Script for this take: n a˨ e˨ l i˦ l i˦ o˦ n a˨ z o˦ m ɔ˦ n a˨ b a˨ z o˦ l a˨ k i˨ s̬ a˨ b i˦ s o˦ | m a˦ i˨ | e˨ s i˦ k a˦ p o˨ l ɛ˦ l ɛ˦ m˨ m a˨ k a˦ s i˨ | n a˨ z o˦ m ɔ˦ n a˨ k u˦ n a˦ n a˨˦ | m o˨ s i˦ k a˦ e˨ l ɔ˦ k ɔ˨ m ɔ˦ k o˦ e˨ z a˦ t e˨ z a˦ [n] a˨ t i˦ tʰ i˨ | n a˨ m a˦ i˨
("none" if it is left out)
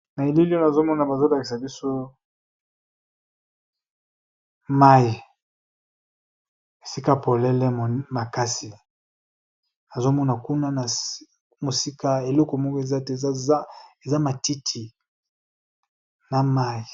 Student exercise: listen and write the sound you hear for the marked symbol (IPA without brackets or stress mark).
m